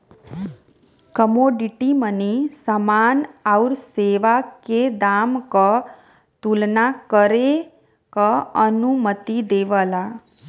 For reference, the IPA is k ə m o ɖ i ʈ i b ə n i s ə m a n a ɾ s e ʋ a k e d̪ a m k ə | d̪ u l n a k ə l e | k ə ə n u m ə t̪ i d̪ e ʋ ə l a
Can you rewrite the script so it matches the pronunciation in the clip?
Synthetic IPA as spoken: k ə m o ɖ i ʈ i m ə n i s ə m a n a ɾ s e ʋ a k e d̪ a m k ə | t̪ u l n a k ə ɾ e | k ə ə n u m ə t̪ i d̪ e ʋ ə l a